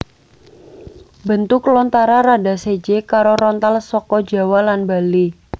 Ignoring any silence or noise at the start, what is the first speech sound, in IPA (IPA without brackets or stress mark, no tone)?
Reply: b